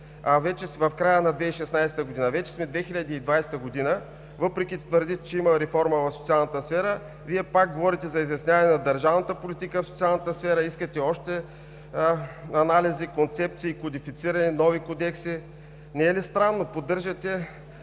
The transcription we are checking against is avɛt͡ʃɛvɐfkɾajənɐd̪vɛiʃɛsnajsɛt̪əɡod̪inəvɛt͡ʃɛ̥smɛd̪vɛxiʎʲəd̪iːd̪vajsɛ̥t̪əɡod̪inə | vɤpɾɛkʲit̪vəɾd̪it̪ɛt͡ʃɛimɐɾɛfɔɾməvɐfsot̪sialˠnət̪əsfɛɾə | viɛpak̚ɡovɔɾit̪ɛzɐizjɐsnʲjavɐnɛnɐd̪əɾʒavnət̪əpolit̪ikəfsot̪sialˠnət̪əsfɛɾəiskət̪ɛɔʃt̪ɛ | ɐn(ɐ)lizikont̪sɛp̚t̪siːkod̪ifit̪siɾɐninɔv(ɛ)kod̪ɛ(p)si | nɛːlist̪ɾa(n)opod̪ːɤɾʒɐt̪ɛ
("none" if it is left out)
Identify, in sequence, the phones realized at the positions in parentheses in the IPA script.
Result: a, i, k, nː

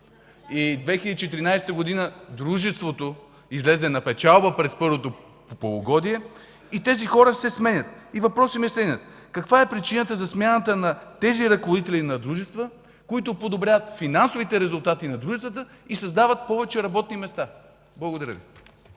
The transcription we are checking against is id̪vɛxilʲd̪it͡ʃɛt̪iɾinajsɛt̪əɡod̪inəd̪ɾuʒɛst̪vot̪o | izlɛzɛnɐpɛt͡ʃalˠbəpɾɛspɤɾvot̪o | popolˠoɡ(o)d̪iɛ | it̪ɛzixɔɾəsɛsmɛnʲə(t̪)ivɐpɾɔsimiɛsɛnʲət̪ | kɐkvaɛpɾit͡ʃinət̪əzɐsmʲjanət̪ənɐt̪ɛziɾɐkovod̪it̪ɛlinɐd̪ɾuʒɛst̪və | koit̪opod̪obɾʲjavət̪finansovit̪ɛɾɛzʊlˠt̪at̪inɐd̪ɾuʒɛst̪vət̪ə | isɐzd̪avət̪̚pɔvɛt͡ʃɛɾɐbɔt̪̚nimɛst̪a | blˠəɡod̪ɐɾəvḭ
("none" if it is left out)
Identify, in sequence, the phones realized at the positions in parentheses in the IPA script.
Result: ɔ, t̪

